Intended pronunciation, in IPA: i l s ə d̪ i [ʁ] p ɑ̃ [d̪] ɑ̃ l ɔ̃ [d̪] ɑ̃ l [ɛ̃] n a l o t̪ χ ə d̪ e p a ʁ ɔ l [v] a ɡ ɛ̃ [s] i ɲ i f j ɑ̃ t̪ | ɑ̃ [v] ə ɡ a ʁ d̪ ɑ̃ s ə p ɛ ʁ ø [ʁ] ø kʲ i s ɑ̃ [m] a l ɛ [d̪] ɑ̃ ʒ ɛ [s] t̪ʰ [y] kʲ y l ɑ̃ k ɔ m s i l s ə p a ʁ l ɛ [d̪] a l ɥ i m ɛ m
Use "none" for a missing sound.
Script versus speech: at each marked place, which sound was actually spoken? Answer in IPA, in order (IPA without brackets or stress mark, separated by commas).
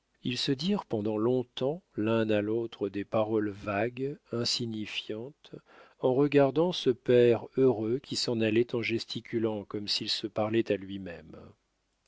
ʁ, d̪, t̪, ɛ̃, v, s, ʁ, ʁ, n, t̪, s, i, t̪